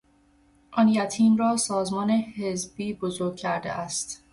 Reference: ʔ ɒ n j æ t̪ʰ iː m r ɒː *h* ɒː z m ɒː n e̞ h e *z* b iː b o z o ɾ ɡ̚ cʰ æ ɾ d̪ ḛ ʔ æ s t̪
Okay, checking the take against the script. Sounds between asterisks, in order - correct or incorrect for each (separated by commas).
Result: incorrect, correct